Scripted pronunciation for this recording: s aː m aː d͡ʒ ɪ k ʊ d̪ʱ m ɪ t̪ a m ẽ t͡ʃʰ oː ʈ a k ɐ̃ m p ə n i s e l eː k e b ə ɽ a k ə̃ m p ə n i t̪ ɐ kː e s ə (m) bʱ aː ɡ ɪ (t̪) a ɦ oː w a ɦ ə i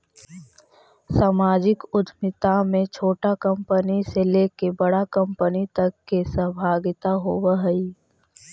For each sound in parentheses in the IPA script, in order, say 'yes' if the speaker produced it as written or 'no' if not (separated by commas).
no, yes